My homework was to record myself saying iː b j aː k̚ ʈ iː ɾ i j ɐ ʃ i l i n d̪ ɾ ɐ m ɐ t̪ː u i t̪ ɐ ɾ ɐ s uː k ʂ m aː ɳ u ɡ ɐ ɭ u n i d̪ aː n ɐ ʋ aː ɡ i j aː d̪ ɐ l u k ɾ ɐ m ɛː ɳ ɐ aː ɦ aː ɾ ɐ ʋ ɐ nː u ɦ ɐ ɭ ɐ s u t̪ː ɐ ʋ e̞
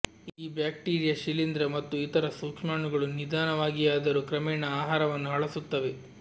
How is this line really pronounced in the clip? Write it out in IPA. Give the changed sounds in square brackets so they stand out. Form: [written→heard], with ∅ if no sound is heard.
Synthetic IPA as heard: iː b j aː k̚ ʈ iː ɾ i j ɐ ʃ i l i n d̪ ɾ ɐ m ɐ t̪ː u i t̪ ɐ ɾ ɐ s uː k ʂ m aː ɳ u ɡ ɐ ɭ u n i d̪ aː n ɐ ʋ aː ɡ i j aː d̪ ɐ [l→ɾ] u k ɾ ɐ m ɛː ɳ ɐ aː ɦ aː ɾ ɐ ʋ ɐ nː u ɦ ɐ ɭ ɐ s u t̪ː ɐ ʋ e̞